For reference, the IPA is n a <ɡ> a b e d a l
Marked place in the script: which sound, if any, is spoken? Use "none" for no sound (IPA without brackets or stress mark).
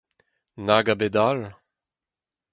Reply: ɡ